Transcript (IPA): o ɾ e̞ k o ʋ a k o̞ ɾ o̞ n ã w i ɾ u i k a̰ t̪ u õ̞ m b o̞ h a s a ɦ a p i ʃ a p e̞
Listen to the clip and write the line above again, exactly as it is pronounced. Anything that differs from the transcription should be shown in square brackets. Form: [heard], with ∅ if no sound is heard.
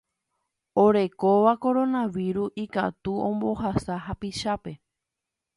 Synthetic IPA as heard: o ɾ e̞ k o ʋ a k o̞ ɾ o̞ n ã [ʋ] i ɾ u i k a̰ t̪ u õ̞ m b o̞ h a s a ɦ a p i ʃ a p e̞